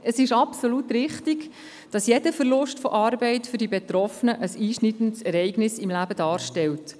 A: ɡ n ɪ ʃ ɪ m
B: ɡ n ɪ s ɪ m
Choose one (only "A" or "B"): B